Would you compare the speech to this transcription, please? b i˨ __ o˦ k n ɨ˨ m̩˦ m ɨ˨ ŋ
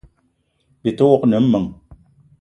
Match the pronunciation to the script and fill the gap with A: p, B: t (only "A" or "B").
B